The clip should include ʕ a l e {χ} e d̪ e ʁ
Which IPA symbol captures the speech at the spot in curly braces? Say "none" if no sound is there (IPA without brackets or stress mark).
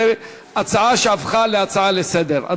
s